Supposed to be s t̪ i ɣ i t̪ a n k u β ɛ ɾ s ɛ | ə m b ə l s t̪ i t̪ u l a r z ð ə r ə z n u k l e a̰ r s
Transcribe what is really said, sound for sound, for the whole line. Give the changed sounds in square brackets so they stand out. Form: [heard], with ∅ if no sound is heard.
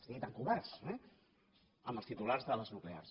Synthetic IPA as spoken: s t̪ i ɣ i t̪ a [ŋ] k u β ɛ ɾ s ɛ | ə m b ə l s t̪ i t̪ u l a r z ð ə [l] ə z n u k l e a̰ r s